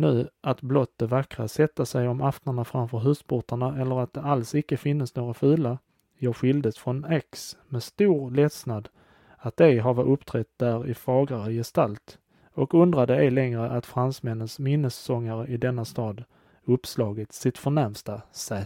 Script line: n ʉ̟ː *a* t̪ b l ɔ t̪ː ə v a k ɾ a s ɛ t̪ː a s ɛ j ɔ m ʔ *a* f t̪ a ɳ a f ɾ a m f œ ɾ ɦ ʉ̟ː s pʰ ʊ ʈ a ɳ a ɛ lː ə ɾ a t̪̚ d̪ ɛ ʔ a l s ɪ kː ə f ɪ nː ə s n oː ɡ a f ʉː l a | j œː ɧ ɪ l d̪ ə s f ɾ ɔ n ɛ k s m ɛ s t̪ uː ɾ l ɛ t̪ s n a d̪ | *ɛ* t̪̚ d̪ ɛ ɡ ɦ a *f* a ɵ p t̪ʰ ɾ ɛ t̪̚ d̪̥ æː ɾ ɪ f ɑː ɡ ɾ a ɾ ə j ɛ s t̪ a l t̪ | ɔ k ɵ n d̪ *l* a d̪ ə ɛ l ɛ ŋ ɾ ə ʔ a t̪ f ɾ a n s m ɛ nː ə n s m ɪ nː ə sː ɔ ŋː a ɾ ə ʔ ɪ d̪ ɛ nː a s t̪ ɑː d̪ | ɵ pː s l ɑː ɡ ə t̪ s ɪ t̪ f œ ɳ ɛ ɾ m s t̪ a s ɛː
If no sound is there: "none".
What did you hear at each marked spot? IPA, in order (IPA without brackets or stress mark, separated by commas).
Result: a, a, a, v, ɾ